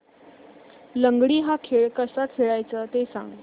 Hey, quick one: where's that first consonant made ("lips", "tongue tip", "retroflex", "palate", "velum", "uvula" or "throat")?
tongue tip